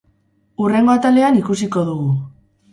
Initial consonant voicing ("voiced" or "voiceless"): voiced